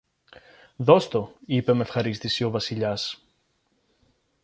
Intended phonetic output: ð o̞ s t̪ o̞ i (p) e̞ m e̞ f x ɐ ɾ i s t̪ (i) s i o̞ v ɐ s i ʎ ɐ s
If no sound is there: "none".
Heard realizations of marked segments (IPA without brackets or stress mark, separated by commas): p, i